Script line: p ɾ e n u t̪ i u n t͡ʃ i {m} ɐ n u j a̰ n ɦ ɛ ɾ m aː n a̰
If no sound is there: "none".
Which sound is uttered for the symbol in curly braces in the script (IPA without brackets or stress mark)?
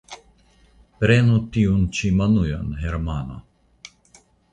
m